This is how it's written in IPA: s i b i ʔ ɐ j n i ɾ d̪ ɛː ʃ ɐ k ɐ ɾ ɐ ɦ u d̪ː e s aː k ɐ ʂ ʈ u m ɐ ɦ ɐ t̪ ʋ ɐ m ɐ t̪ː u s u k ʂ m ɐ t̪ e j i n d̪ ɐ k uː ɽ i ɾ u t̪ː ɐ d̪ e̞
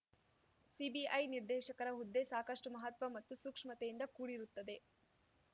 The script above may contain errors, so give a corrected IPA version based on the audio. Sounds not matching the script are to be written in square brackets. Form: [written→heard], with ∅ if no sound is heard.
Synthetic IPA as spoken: s i b i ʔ ɐ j n i ɾ d̪ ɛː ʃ ɐ k ɐ ɾ ɐ ɦ u d̪ː e s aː k ɐ ʂ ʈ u m ɐ ɦ ɐ t̪ ʋ ɐ m ɐ t̪ː u s u k ʂ m ɐ t̪ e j i n d̪ ɐ k uː ɽ i ɾ u t̪ː ɐ d̪ e̞